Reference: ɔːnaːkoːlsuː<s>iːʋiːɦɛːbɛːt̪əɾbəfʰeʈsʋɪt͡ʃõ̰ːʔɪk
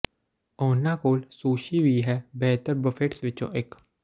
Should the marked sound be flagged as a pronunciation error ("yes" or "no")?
yes